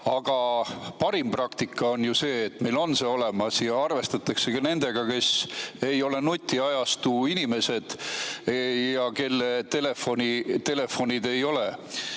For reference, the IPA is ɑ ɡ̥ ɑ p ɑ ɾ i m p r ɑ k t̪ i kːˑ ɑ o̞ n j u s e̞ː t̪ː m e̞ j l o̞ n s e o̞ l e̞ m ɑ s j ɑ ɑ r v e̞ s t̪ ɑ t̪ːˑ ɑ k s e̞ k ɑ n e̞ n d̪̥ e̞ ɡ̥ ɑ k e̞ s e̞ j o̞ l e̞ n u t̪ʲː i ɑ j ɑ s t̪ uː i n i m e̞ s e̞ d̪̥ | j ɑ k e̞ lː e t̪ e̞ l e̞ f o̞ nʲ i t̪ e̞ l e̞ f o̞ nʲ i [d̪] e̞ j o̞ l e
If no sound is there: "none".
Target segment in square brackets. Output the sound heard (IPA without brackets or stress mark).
d̪